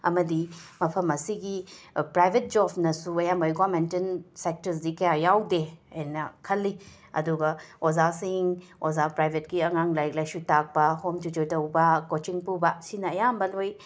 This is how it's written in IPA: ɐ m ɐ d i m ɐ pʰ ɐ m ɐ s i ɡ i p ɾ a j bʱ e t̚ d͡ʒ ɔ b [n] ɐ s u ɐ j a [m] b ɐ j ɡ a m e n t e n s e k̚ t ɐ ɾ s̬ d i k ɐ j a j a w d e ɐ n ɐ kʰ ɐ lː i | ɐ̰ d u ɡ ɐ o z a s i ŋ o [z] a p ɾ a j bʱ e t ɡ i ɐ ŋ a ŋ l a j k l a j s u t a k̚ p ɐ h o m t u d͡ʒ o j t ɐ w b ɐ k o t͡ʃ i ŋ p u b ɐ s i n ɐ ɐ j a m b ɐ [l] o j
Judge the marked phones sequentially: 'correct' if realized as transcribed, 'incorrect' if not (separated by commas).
correct, correct, correct, correct